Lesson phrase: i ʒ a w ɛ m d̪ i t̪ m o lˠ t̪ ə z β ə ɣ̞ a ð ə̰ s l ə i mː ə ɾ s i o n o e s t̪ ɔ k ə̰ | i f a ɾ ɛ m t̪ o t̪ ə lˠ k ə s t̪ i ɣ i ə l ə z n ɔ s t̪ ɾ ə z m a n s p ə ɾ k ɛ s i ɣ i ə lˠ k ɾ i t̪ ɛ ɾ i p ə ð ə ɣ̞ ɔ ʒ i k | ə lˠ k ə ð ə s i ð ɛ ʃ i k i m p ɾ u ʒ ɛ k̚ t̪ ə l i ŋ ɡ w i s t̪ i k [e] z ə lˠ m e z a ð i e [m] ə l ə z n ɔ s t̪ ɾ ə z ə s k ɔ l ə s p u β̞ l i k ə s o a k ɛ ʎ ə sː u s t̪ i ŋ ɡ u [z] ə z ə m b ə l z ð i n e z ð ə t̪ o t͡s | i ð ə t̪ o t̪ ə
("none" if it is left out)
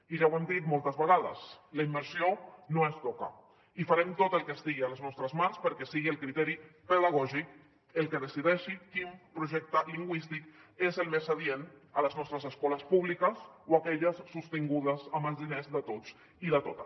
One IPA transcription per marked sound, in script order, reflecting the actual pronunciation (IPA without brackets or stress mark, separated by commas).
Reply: e, n, ð